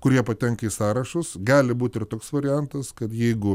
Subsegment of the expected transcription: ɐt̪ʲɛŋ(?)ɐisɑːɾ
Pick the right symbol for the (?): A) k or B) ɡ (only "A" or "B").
A